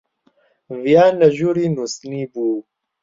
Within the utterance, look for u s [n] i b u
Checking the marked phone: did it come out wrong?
no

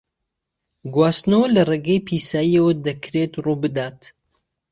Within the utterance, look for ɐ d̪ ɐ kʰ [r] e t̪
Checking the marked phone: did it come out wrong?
yes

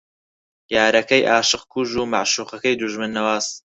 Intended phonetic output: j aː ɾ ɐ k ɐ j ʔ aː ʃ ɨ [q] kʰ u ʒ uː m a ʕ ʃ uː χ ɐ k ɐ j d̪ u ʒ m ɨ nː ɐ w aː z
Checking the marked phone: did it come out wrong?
no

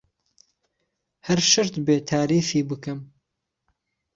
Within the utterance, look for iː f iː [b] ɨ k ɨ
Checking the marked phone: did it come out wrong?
no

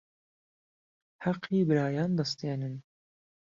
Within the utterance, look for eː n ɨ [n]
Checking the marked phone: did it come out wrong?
no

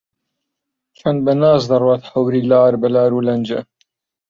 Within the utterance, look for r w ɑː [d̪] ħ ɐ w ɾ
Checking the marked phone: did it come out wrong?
yes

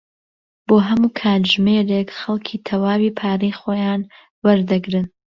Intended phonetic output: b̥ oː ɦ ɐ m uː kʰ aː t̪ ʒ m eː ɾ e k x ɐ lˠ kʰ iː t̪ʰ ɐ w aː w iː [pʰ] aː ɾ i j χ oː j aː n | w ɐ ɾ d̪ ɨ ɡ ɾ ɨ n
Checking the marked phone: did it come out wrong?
no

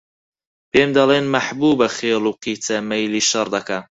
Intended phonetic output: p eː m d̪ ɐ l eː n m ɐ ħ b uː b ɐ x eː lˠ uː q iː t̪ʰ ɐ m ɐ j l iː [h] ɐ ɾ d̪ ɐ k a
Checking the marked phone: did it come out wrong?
yes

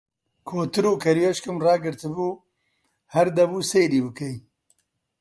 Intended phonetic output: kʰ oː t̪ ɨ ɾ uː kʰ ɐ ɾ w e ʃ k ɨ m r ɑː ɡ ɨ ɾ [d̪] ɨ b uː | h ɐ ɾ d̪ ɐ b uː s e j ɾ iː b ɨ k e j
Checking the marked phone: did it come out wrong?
yes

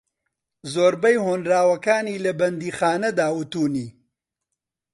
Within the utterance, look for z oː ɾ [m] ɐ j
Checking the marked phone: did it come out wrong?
yes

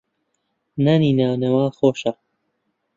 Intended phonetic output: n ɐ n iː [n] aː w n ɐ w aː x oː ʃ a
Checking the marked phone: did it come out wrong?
no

